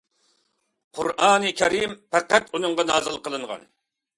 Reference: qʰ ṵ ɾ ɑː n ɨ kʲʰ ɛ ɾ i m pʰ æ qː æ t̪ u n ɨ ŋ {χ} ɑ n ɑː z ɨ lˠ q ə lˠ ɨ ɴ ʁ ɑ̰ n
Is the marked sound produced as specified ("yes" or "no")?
no